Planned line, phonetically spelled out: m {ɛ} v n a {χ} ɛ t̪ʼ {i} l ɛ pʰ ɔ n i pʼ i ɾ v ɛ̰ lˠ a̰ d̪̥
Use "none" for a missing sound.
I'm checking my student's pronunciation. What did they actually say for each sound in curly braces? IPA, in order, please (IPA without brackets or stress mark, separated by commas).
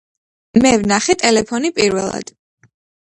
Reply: ɛ, χ, ɛ